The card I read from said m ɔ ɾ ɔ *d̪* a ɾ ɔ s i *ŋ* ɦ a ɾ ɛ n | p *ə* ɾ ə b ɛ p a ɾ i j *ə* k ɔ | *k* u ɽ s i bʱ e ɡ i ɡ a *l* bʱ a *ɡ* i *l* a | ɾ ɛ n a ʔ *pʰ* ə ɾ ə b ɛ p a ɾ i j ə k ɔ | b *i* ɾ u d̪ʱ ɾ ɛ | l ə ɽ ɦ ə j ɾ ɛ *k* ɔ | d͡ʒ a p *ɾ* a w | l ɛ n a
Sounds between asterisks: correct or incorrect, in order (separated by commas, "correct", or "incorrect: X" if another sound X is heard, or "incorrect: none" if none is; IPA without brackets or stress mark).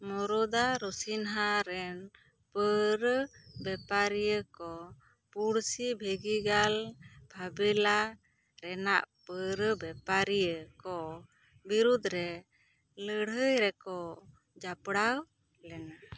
correct, incorrect: n, correct, correct, incorrect: p, correct, incorrect: b, correct, incorrect: p, correct, correct, incorrect: ɽ